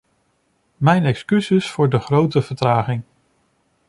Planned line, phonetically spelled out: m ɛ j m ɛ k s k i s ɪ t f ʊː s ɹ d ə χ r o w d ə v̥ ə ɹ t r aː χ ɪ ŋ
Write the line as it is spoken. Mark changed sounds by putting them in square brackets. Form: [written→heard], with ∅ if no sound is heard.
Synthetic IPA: m ɛ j [m→n] ɛ k s k [i→y] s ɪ [t→s] f ʊː [s→∅] ɹ d ə χ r o w [d→t] ə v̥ ə ɹ t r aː χ ɪ ŋ